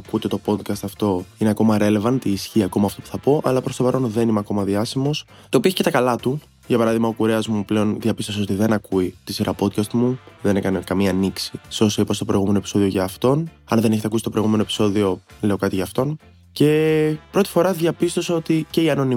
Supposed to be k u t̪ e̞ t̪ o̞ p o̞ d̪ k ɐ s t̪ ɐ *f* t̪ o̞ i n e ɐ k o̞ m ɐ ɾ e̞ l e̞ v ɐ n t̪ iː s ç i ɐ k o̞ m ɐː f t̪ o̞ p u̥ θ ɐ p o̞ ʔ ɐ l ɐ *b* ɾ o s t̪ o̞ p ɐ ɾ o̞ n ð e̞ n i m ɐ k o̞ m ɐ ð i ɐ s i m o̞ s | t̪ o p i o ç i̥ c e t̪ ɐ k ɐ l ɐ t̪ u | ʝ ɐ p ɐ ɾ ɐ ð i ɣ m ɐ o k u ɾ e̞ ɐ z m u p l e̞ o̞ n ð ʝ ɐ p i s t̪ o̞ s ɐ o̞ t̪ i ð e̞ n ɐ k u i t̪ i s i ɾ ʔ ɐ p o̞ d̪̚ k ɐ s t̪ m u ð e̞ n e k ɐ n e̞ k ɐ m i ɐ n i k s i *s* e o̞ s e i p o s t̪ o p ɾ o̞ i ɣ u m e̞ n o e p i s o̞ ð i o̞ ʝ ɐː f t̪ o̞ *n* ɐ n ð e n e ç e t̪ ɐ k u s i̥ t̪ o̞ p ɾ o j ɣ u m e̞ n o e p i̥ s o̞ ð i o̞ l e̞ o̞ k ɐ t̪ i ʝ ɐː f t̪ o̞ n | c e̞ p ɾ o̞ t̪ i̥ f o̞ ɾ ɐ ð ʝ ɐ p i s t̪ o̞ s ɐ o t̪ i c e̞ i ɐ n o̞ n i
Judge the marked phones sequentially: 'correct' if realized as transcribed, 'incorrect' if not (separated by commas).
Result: correct, incorrect, correct, correct